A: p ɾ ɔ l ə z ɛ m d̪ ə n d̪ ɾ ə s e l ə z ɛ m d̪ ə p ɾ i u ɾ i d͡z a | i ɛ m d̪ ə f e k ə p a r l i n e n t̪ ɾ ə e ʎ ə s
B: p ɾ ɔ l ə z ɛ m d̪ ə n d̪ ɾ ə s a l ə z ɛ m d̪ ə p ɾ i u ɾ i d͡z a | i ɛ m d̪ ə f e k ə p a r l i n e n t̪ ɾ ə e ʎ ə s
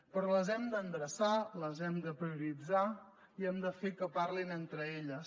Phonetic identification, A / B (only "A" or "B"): B